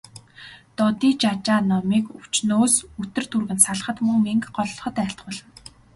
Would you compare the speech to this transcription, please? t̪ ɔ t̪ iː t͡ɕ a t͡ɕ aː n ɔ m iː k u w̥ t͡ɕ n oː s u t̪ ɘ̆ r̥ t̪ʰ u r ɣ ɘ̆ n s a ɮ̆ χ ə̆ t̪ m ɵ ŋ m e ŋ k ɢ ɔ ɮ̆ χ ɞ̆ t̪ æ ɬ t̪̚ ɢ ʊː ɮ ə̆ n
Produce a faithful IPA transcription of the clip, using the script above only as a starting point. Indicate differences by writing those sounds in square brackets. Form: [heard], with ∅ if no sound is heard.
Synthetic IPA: t̪ ɔ t̪ iː t͡ɕ a t͡ɕ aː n ɔ m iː k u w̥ t͡ɕ n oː s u t̪ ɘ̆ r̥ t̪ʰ u r ɣ ɘ̆ n s a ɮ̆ χ ə̆ t̪ m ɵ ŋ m e ŋ k ɢ ɔ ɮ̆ χ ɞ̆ t̪ æ ɬ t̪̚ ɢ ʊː ɮ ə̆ n